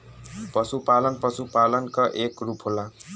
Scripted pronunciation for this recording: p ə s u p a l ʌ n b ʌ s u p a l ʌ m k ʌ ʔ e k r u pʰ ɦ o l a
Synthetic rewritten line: p ʌ s u p a l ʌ n p ʌ s u p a l ʌ n k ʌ ʔ e k r u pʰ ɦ o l a